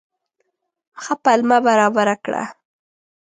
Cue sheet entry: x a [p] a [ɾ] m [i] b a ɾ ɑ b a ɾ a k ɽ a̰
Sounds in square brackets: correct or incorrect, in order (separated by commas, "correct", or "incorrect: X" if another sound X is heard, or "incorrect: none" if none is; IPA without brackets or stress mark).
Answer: correct, incorrect: l, incorrect: a